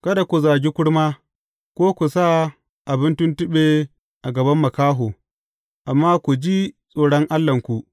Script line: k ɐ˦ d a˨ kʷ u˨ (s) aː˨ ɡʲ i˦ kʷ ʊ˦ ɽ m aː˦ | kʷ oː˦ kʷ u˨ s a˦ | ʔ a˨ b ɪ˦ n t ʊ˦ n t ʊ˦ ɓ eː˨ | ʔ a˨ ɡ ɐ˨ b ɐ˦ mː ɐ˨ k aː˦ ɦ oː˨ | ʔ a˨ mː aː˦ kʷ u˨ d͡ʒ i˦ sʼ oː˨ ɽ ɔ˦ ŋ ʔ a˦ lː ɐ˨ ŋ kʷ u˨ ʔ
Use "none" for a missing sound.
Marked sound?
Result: z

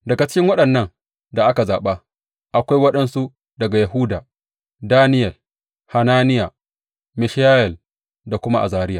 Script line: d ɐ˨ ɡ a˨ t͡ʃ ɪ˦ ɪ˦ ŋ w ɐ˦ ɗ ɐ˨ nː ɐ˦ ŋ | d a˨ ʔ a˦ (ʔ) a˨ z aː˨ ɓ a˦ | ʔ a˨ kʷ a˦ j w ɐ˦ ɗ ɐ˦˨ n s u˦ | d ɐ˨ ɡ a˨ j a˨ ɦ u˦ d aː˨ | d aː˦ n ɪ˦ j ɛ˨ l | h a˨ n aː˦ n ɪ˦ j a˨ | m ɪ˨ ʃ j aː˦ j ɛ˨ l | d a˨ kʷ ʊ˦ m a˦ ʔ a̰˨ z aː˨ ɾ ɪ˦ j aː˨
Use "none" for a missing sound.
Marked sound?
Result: k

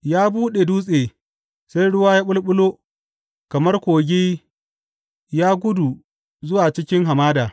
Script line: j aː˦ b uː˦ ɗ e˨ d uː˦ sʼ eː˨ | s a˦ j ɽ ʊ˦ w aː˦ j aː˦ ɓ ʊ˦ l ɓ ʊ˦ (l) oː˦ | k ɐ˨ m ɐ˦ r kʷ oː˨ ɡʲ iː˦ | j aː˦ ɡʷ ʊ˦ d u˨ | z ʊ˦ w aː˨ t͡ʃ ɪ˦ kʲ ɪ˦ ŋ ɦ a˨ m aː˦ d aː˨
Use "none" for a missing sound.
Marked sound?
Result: l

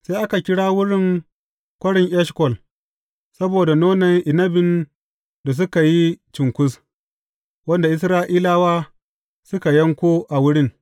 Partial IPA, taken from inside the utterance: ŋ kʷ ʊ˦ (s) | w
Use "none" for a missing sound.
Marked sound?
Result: s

